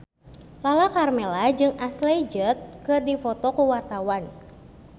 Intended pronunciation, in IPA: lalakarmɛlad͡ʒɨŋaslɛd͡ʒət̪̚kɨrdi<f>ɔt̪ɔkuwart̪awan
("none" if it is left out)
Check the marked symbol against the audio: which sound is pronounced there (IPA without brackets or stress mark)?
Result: f